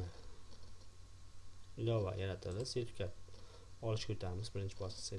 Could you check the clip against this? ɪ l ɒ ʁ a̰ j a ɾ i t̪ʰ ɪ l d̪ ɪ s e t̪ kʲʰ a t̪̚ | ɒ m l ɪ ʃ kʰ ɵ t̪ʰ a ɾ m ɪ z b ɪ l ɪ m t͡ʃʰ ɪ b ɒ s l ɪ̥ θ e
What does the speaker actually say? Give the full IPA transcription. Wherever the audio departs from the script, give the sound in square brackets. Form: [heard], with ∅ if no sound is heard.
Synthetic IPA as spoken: ɪ l ɒ [v] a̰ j a ɾ [a] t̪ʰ ɪ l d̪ ɪ s e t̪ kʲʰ a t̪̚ | ɒ [∅] l ɪ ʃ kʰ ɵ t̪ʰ a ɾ m ɪ z b ɪ [ɾ] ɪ [n] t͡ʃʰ ɪ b ɒ s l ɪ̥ [s] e